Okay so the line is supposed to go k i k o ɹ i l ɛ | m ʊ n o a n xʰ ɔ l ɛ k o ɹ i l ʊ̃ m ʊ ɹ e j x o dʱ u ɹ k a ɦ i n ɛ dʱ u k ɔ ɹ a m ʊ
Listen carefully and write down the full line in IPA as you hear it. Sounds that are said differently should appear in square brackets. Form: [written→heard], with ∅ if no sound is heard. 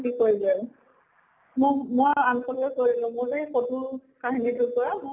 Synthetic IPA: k i k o ɹ i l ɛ | m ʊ [n→m] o a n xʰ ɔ l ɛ k o ɹ i l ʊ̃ m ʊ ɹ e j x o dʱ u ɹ k a ɦ i n [ɛ→i] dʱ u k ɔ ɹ a m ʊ